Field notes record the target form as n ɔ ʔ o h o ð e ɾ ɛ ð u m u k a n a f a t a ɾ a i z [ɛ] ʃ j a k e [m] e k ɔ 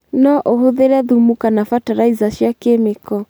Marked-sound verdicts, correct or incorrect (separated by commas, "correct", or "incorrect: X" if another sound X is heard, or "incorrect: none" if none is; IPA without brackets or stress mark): incorrect: a, correct